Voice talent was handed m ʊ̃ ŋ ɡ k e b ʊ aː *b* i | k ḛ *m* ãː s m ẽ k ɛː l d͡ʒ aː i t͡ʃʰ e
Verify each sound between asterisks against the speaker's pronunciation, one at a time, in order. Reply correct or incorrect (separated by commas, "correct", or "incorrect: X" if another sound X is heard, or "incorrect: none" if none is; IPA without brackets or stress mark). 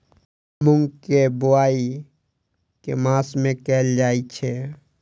incorrect: none, correct